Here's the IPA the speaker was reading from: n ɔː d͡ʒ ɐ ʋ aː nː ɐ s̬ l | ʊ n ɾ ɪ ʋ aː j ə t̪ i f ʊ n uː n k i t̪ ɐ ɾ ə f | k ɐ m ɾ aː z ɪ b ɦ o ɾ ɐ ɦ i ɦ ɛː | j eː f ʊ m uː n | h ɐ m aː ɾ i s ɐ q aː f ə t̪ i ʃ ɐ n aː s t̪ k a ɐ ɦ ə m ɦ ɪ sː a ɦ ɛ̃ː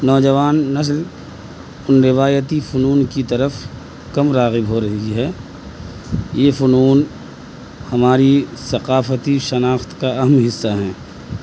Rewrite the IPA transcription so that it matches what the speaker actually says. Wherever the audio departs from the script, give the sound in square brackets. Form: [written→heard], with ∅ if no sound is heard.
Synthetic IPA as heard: n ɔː d͡ʒ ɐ ʋ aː nː ɐ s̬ l | ʊ n ɾ ɪ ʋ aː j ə t̪ i f ʊ n uː n k i t̪ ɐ ɾ ə f | k ɐ m ɾ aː [z→ɣ] ɪ b ɦ o ɾ ɐ ɦ i ɦ ɛː | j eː f ʊ [m→n] uː n | h ɐ m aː ɾ i s ɐ q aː f ə t̪ i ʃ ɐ n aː [s→x] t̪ k a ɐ ɦ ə m ɦ ɪ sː a ɦ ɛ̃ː